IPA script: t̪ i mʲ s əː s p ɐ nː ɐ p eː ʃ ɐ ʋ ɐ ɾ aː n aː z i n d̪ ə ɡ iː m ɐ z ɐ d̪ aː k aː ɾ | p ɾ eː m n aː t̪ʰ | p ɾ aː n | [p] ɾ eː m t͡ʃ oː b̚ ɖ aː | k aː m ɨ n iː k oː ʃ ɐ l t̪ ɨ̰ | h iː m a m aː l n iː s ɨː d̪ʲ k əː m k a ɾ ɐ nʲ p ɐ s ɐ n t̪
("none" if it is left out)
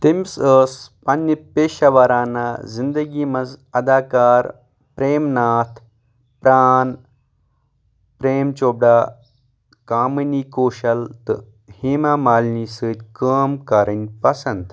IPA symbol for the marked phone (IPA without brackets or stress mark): p